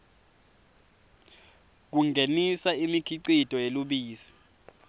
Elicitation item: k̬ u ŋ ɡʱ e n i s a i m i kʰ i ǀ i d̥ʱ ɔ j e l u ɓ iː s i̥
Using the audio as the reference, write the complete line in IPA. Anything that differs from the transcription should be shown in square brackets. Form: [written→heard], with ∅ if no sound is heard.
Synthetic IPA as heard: k̬ u ŋ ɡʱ e n i s a i m i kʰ i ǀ i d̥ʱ ɔ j e l u ɓ iː s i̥